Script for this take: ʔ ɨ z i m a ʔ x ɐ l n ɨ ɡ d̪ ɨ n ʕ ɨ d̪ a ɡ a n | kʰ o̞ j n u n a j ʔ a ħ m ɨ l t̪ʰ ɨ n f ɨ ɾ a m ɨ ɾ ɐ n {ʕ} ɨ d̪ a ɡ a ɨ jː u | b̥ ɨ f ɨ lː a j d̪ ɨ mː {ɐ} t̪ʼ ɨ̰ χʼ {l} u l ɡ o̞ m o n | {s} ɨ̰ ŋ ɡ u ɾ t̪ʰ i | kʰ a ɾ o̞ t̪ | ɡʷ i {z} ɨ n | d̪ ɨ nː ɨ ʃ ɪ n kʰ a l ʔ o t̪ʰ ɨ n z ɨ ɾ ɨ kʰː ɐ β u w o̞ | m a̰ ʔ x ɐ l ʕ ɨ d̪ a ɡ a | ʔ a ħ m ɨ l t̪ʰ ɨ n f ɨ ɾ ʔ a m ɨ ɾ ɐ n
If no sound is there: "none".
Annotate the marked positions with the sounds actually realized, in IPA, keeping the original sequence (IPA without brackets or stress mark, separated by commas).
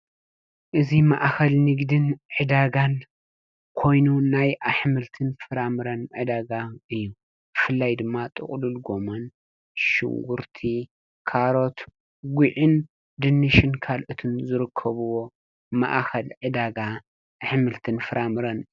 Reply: ʕ, a, l, ʃ, ʕ